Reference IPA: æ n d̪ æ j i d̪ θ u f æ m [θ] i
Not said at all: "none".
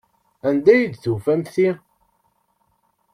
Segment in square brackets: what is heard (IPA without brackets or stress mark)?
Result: θ